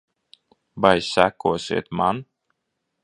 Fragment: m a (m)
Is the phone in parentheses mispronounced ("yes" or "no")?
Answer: yes